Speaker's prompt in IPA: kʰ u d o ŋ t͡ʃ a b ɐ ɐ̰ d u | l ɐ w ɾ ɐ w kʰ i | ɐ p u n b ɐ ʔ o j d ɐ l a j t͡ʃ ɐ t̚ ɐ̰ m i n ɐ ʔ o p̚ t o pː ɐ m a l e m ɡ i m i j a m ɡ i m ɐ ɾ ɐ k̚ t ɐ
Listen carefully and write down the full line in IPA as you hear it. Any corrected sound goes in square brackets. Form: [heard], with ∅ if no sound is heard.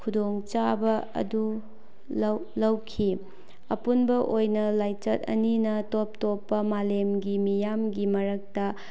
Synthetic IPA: kʰ u d o ŋ t͡ʃ a b ɐ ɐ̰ d u | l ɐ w [l] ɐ w kʰ i | ɐ p u n b ɐ ʔ o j [n] ɐ l a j t͡ʃ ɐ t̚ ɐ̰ [n] i n ɐ [t] o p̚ t o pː ɐ m a l e m ɡ i m i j a m ɡ i m ɐ ɾ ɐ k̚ t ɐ